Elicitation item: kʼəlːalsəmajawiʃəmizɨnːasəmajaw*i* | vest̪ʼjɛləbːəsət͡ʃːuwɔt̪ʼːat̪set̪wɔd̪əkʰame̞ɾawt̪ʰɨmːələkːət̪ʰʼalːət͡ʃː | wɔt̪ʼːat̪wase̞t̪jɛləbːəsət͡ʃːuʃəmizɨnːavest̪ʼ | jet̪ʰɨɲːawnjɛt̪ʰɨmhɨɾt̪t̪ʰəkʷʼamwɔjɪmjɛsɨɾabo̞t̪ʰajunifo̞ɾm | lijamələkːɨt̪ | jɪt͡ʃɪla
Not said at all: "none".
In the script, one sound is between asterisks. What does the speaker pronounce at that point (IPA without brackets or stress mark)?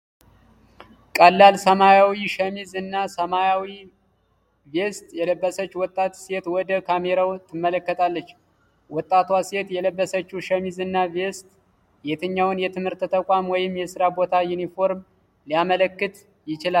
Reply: i